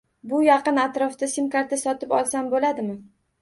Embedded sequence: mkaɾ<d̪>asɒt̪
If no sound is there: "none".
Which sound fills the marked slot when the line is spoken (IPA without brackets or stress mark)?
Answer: t̪